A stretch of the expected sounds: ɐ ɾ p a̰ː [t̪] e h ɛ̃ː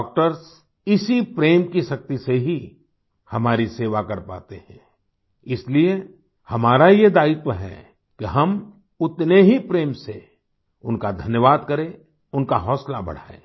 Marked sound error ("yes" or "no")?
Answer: no